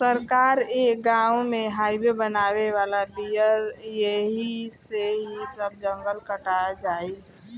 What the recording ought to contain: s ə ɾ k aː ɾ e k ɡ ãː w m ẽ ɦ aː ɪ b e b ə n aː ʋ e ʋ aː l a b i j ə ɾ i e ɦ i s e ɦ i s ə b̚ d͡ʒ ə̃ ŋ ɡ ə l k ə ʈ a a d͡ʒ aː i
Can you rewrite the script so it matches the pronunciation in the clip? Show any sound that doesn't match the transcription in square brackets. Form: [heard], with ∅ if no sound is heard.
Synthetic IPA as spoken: s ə ɾ k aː ɾ e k ɡ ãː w m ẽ ɦ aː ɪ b e b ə n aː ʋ e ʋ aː l a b i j ə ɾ [j] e ɦ i s e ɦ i s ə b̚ d͡ʒ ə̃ ŋ ɡ ə l k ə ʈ a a d͡ʒ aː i